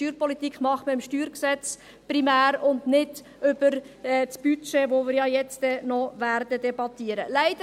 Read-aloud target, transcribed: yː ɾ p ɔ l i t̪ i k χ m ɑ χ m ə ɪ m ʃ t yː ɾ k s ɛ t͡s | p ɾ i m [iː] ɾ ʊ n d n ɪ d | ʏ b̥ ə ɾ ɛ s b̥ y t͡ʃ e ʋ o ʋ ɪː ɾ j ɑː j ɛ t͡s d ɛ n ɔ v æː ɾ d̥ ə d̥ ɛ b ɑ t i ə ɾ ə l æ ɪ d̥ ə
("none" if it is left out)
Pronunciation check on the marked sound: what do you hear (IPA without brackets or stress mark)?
æː